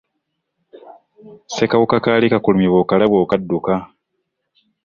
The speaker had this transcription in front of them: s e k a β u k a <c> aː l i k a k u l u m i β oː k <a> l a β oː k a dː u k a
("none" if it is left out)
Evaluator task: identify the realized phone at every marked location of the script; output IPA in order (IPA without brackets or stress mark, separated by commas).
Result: k, a